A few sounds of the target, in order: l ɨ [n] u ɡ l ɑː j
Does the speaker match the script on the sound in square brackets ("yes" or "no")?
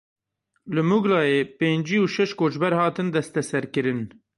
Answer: no